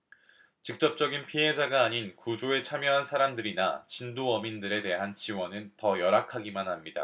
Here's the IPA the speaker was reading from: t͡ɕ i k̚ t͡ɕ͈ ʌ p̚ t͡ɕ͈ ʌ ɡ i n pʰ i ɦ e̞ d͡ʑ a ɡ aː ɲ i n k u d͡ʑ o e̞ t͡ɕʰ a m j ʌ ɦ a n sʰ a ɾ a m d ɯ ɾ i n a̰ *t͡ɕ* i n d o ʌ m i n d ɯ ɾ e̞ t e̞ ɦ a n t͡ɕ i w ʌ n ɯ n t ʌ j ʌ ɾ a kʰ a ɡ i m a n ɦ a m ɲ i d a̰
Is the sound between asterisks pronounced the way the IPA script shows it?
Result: yes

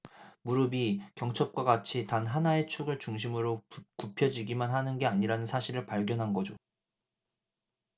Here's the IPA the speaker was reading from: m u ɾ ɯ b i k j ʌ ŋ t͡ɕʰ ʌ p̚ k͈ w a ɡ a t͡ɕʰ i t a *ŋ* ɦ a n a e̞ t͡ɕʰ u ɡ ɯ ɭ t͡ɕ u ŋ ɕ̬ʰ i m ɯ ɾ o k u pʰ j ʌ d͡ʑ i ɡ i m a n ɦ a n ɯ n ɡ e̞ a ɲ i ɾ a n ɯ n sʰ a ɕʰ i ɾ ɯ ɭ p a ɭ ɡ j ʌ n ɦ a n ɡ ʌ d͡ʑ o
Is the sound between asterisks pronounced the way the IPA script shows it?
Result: no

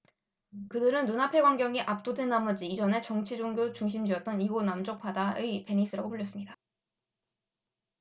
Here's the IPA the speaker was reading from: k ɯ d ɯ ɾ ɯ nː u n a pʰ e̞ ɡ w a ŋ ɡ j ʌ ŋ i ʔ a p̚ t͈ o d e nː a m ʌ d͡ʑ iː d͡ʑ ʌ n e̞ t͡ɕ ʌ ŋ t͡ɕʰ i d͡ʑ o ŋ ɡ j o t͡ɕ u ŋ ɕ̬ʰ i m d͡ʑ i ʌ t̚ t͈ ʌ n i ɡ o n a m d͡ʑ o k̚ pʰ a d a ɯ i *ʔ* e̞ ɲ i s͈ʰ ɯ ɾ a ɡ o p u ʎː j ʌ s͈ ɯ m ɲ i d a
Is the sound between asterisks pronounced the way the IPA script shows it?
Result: no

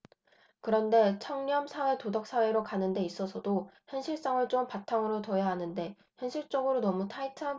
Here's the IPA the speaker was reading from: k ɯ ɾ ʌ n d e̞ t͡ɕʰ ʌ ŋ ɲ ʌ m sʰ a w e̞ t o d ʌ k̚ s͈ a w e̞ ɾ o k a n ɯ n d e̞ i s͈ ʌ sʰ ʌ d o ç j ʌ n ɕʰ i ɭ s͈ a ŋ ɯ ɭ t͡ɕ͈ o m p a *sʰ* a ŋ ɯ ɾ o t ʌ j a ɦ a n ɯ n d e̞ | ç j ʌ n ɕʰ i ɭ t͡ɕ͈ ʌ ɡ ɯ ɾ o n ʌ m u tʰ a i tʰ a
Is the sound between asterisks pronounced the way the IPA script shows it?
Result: no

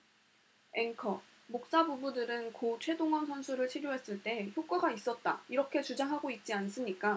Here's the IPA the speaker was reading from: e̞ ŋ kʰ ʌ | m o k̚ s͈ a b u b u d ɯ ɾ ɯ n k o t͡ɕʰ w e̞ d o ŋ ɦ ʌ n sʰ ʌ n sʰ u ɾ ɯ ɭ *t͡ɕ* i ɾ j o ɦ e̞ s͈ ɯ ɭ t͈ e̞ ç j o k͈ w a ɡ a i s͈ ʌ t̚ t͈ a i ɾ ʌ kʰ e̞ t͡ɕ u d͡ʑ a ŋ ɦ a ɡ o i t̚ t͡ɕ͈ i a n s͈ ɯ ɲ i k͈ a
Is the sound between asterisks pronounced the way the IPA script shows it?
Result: no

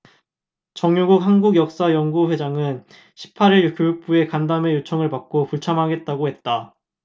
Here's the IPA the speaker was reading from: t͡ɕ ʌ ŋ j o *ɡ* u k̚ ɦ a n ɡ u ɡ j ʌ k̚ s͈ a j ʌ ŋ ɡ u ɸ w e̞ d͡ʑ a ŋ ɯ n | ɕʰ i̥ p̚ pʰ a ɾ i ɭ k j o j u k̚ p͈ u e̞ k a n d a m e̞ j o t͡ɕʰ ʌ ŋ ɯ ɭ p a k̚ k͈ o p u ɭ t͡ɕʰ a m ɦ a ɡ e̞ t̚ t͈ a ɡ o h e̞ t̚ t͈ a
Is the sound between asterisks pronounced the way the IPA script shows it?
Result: yes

